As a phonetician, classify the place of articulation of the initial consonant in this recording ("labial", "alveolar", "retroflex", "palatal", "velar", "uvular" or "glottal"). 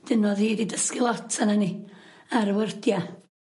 alveolar